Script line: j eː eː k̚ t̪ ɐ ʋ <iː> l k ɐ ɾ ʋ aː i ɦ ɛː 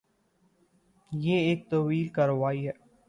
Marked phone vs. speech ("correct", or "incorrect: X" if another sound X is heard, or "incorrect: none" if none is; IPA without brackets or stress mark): correct